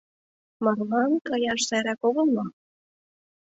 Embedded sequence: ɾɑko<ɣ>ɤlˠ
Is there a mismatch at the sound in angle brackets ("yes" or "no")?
no